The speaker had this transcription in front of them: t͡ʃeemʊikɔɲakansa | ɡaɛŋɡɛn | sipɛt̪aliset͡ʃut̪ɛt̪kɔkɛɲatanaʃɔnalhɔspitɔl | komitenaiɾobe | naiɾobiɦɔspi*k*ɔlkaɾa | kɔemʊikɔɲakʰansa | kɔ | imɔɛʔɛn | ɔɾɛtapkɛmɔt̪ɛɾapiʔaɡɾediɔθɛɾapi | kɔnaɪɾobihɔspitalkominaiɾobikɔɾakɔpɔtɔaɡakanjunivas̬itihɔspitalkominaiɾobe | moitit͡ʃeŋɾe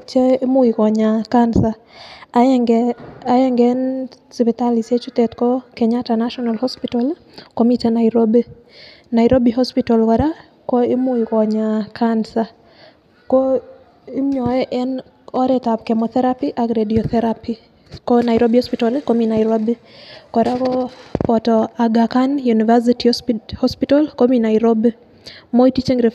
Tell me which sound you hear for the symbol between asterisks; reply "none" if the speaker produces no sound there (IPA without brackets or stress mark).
t